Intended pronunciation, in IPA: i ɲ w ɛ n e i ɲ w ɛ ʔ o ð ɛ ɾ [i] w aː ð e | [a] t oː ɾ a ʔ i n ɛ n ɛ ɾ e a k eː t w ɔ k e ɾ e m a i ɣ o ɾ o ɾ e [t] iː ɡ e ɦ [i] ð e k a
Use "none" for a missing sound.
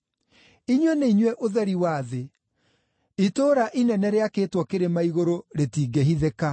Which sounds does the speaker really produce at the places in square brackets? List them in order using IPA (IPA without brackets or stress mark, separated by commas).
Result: i, i, t, i